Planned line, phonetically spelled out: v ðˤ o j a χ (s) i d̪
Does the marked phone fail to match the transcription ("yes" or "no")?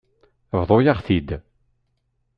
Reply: yes